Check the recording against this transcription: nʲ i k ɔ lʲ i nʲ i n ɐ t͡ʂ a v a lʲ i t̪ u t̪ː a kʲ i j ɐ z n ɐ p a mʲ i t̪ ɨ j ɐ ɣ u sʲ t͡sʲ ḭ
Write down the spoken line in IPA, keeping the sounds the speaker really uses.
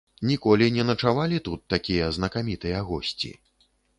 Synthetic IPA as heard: nʲ i k ɔ lʲ i nʲ ɛ n ɐ t͡ʂ a v a lʲ i t̪ u t̪ː a kʲ i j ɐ z n ɐ k a mʲ i t̪ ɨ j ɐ ɣ ɔ sʲ t͡sʲ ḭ